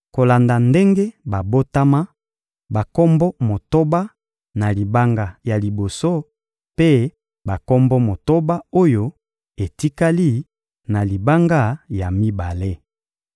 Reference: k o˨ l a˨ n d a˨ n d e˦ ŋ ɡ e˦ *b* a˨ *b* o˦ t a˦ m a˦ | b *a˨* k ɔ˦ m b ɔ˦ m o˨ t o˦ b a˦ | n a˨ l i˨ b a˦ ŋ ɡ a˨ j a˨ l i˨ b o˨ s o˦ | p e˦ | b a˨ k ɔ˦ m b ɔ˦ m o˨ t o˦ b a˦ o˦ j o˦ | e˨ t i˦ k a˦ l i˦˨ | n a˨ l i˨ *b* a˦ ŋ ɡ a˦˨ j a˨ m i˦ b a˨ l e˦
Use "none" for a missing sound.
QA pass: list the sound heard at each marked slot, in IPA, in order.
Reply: b, b, a˨, b

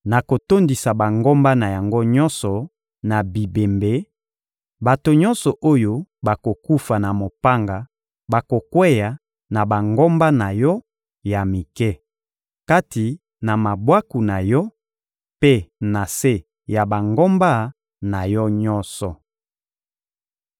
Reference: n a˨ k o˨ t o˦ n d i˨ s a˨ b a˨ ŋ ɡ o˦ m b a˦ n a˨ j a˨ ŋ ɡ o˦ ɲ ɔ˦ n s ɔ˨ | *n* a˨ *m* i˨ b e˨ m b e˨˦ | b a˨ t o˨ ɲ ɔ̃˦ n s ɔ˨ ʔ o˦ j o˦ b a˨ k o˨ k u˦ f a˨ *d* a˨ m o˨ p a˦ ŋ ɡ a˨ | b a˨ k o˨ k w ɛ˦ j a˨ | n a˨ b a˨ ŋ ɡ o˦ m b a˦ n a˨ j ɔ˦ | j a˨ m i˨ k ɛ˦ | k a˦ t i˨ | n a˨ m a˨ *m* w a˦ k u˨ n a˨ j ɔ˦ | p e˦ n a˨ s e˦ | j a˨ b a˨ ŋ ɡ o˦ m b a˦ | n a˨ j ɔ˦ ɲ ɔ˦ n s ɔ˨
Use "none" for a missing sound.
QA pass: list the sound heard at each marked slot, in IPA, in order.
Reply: n, b, n, b

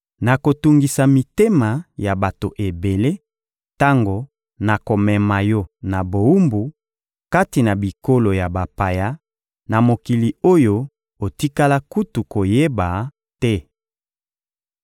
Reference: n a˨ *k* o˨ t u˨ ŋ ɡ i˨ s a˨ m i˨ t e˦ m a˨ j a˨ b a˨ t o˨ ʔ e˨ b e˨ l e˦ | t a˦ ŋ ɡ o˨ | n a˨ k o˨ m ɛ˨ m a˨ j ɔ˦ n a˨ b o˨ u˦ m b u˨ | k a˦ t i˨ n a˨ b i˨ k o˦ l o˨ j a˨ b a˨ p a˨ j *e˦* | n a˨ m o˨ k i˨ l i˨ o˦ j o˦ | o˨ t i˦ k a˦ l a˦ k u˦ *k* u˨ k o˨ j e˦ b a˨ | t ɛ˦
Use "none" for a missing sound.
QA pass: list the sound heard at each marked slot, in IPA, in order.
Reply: k, a˦, t

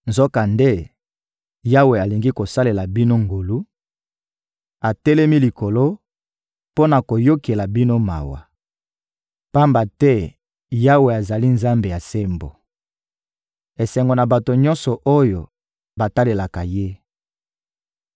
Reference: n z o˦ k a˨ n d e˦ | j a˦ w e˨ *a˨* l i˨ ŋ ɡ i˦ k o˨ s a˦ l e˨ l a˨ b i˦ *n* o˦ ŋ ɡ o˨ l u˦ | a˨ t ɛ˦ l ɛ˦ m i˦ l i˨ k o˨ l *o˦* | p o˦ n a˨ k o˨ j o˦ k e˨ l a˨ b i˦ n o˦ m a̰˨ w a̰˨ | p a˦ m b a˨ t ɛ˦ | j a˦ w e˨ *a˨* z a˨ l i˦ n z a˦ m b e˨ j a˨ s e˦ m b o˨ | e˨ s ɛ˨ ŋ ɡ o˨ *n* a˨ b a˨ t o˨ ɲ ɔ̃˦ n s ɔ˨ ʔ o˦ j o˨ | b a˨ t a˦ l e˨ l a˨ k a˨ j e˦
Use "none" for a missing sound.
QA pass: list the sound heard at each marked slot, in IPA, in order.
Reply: a˨, n, o˦, a˨, n

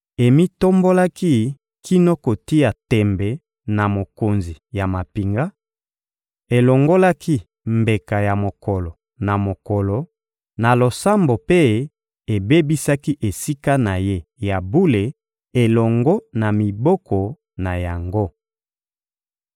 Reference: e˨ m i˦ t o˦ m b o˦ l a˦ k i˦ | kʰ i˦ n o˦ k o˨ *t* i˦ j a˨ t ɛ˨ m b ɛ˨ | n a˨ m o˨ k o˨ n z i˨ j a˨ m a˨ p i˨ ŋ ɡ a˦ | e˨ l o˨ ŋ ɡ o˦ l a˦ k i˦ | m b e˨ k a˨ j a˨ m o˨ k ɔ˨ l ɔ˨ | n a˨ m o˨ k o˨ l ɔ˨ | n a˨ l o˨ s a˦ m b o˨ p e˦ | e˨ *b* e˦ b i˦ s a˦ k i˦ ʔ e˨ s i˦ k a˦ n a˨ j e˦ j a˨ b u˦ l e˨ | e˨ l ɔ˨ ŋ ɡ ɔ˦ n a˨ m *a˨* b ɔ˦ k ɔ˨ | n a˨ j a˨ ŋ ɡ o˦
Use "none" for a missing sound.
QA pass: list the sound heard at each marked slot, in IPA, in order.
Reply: t, b, i˨

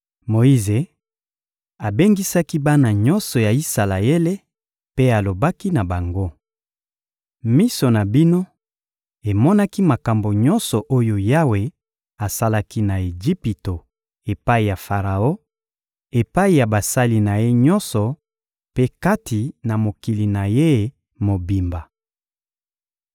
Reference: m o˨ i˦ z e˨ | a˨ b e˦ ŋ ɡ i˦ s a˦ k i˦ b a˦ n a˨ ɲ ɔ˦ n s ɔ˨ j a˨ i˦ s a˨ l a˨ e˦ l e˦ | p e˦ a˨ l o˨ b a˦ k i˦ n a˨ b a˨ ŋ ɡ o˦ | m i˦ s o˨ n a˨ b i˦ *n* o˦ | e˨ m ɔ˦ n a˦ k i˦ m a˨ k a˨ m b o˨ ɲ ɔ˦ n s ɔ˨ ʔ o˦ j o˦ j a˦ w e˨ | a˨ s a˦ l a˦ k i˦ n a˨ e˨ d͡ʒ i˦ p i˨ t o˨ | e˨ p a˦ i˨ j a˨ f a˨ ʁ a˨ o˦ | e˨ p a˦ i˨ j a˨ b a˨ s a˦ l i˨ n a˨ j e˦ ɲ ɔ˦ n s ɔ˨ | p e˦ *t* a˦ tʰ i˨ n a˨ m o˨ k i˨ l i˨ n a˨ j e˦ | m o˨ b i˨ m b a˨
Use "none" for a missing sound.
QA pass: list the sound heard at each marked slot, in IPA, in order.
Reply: n, k

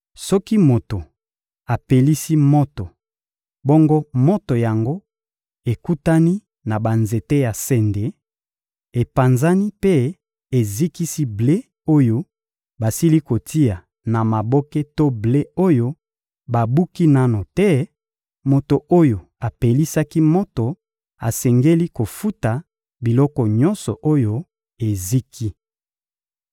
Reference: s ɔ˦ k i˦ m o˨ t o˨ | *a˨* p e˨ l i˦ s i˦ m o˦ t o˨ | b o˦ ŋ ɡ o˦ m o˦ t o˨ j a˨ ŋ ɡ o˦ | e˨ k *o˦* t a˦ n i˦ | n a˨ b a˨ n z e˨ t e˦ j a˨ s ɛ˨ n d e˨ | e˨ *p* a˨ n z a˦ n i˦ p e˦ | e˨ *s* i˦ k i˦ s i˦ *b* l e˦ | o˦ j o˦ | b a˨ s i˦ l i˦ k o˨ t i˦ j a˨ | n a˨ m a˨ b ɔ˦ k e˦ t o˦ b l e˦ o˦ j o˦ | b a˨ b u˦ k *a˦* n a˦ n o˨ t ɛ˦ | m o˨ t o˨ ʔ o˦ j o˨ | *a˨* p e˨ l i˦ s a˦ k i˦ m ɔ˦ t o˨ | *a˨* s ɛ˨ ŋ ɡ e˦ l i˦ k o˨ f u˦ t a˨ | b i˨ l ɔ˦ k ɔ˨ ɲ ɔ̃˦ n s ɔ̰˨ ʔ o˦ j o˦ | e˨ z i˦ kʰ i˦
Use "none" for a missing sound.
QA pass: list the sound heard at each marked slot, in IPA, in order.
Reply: a˨, u˦, p, z, b, i˦, a˨, a˨

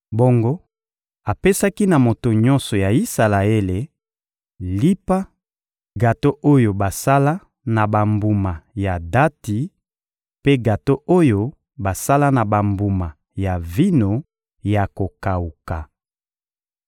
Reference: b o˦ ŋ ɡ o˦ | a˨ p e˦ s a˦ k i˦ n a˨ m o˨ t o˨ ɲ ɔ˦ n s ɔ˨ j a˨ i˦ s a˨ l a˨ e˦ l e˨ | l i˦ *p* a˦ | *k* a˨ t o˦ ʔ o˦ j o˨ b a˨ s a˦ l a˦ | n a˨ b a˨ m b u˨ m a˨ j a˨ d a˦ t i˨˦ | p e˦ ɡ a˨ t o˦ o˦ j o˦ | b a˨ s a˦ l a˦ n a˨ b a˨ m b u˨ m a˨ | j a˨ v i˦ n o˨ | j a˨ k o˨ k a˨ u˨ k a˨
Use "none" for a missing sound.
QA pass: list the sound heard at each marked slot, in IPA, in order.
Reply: p, ɡ

